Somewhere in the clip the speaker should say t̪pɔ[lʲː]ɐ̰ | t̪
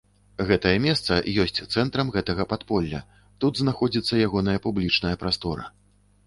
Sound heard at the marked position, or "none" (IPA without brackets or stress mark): lʲː